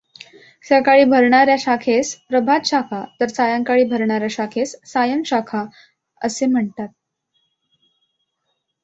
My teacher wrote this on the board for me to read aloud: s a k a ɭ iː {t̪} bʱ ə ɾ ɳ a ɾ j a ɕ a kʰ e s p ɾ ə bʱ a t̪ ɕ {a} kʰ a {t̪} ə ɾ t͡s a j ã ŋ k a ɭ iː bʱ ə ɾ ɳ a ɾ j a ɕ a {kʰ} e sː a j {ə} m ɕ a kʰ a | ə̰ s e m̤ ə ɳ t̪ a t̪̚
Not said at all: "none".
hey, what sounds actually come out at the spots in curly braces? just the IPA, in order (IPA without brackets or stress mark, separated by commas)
none, a, t̪, kʰ, ə